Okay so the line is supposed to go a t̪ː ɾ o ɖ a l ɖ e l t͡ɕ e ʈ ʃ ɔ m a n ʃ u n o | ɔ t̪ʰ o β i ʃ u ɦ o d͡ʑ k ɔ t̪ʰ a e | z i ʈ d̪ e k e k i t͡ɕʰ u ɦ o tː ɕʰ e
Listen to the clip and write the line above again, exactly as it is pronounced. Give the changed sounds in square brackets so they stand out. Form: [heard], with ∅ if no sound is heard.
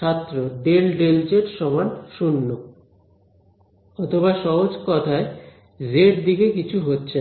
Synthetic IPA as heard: a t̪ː ɾ o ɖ [e] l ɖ e l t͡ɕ e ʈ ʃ ɔ m a n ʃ u [nː] o | ɔ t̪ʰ o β [a] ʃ [ɔ] ɦ o d͡ʑ k ɔ t̪ʰ a e | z [e] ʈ d̪ [i] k e k i t͡ɕʰ u ɦ o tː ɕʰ e

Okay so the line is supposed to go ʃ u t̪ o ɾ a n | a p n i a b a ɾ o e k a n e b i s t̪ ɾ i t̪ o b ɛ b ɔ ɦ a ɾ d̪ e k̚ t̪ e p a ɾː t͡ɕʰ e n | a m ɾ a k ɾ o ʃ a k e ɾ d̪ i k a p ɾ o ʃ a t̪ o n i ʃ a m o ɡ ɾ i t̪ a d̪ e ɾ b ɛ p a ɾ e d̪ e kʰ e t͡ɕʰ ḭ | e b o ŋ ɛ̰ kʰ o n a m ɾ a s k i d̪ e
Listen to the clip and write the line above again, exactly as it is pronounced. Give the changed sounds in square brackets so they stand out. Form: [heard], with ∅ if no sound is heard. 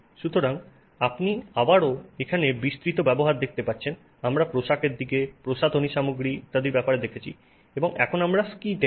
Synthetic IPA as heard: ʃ u t̪ o ɾ a [ŋ] | a p n i a b a ɾ o e [kʰ] a n e b i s t̪ ɾ i t̪ o b ɛ b [o] ɦ a ɾ d̪ e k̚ t̪ e p a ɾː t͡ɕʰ e n | a m ɾ a [p] ɾ o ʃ a k e ɾ d̪ i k [e] p ɾ o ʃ a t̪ o n i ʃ a m o ɡ ɾ i t̪ a d̪ e ɾ b ɛ p a ɾ e d̪ e kʰ e t͡ɕʰ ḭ | e b o ŋ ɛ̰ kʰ o n a m ɾ a s k i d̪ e

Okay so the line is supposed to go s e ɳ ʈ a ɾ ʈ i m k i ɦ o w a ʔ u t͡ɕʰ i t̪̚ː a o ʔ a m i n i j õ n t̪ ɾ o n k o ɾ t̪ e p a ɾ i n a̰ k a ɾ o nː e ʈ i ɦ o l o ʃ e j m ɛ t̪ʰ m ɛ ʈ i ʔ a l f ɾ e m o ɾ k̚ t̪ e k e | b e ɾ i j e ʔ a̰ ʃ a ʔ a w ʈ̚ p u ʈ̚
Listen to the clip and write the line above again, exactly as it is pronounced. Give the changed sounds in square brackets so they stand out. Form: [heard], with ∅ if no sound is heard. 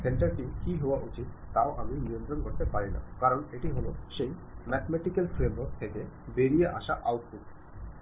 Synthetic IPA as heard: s e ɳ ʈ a ɾ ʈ i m k i ɦ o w a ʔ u [t͡ɕ] i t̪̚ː a o ʔ a m i n i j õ n t̪ ɾ o n k o ɾ t̪ e p a ɾ i n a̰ k a ɾ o [n] e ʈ i ɦ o l o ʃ e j m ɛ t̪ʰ m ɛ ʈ i [k] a l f ɾ e m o ɾ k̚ [t̪ʰ] e k e | b e ɾ i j e ʔ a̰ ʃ a ʔ a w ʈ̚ p u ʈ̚

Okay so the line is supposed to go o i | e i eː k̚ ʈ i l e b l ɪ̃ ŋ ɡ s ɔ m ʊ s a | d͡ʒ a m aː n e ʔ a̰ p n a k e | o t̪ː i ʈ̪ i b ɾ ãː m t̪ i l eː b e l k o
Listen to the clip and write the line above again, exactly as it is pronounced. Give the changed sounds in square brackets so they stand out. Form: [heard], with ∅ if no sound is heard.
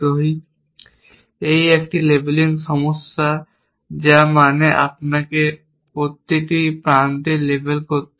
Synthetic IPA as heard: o i | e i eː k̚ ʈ i l e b l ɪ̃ ŋ ɡ s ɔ m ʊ s a | d͡ʒ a m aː n e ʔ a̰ p n a k e | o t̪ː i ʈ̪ i [p] ɾ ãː [n] t̪ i l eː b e l k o

